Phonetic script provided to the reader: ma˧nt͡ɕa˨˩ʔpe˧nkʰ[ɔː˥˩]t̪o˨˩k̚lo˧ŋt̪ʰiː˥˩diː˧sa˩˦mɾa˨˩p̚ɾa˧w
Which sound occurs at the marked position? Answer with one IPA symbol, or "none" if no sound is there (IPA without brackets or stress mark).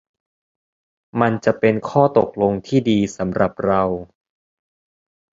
ɔː˥˩